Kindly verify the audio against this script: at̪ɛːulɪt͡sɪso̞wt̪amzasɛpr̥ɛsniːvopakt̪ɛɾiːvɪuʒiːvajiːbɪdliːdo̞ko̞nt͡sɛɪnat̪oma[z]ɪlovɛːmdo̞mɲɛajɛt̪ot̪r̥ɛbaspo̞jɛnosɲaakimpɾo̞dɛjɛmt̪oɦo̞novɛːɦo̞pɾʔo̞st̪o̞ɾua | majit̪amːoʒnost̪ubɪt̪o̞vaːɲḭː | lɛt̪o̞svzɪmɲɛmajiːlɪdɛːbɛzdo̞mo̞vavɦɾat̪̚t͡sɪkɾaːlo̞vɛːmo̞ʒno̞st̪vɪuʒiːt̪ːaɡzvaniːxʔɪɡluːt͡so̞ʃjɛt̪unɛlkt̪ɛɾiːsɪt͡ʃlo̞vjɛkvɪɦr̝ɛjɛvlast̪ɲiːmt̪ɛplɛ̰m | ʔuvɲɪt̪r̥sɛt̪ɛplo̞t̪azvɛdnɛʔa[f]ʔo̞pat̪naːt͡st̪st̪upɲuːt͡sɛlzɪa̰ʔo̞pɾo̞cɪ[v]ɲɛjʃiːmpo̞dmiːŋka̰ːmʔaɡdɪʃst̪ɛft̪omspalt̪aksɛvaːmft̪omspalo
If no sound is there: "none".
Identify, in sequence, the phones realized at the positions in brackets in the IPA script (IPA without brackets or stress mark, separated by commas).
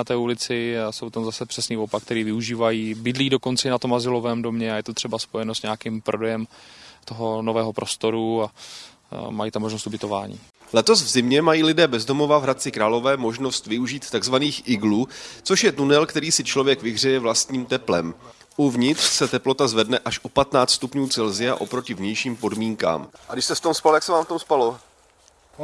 z, ʃ, v